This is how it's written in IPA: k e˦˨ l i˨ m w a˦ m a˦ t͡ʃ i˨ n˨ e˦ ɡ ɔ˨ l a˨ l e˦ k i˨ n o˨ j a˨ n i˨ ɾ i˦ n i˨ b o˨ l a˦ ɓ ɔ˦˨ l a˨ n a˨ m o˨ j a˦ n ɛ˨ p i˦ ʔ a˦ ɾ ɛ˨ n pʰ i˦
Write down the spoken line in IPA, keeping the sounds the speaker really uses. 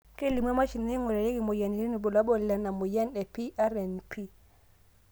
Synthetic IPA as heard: k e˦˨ l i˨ m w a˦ m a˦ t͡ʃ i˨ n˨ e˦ ŋ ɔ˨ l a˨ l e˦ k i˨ m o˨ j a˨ n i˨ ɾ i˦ n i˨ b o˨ l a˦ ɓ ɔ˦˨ l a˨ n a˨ m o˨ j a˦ n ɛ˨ p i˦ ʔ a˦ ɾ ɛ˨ n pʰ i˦